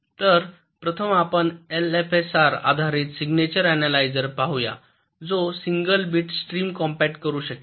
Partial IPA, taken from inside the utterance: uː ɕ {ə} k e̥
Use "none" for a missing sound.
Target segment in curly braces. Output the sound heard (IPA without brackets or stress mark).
ə